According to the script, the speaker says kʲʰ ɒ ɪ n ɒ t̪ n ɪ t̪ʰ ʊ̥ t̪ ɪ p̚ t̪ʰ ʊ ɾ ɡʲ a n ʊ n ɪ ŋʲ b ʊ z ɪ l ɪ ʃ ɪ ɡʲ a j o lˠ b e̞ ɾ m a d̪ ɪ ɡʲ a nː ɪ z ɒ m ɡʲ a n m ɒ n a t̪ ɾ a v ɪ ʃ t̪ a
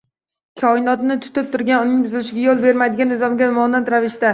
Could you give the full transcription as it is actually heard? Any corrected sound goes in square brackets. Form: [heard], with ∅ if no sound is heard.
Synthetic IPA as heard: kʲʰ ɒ ɪ n ɒ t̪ n ɪ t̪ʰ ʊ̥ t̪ ɪ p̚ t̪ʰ ʊ ɾ ɡʲ a n ʊ n ɪ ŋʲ b ʊ z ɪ l ɪ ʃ ɪ ɡʲ a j o lˠ b e̞ ɾ m a d̪ ɪ ɡʲ a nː ɪ z ɒ m ɡʲ a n m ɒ n a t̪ ɾ a v ɪ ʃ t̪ a

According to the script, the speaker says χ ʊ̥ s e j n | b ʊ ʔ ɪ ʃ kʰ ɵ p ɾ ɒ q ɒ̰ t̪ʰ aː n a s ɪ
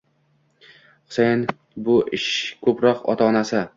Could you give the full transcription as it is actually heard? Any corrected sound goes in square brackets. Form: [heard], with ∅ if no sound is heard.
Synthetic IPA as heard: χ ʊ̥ s e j n | b ʊ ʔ ɪ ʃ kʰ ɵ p ɾ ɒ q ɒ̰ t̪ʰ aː n a s ɪ

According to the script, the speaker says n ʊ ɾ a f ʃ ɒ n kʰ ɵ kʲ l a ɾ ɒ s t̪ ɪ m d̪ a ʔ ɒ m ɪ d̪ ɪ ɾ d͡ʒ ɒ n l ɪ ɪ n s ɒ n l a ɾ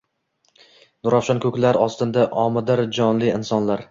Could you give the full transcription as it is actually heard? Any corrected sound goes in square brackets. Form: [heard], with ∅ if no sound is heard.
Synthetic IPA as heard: n ʊ ɾ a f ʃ ɒ n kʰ ɵ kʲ l a ɾ ɒ s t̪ ɪ [n] d̪ a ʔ ɒ m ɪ d̪ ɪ ɾ d͡ʒ ɒ n l ɪ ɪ n s ɒ n l a ɾ

